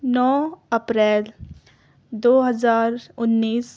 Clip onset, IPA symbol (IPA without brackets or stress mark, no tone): n